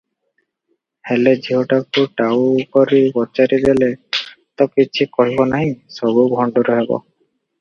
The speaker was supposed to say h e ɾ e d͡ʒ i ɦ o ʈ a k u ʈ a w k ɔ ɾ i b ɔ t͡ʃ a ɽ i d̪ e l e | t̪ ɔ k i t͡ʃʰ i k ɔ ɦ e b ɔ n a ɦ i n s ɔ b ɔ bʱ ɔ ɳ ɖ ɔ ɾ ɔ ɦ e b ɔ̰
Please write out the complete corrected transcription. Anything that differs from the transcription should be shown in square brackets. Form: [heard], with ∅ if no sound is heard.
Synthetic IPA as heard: h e [l] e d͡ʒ i ɦ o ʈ a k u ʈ a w k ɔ ɾ i b ɔ t͡ʃ a [ɾ] i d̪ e l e | t̪ ɔ k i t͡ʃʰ i k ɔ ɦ [i] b ɔ n a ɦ i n s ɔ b [u] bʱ ɔ ɳ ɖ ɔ ɾ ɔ ɦ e b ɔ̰

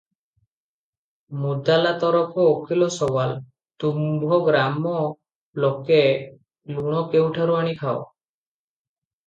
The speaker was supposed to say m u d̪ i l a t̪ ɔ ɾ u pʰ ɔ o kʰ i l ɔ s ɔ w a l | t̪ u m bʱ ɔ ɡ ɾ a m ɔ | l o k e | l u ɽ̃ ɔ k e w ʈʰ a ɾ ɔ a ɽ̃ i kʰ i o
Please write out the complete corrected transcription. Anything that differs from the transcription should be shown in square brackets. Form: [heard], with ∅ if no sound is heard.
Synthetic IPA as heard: m u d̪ [a] l a t̪ ɔ ɾ [ɔ] pʰ ɔ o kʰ i l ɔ s ɔ w a l | t̪ u m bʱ ɔ ɡ ɾ a m ɔ | l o k e | l u ɽ̃ ɔ k e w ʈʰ a ɾ [u] a ɽ̃ i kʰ [a] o

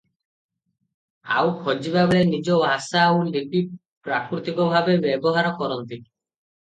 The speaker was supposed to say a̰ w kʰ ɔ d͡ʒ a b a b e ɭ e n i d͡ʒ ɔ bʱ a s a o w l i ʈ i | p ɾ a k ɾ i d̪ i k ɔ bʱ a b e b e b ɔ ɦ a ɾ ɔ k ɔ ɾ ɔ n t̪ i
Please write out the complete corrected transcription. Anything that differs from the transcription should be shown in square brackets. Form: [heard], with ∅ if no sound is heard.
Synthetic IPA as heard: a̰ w kʰ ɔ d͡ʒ [i] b a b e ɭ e n i d͡ʒ ɔ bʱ a s a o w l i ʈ i | p ɾ a k ɾ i [t̪] i k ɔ bʱ a b e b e b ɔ ɦ a ɾ ɔ k ɔ ɾ ɔ n t̪ i

